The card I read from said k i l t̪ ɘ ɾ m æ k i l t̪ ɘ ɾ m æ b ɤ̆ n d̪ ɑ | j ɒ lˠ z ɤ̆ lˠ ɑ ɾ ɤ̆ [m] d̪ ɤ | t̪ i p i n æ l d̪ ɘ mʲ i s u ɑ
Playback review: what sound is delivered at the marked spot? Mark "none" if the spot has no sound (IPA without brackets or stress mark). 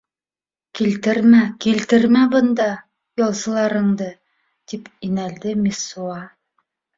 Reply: ɴ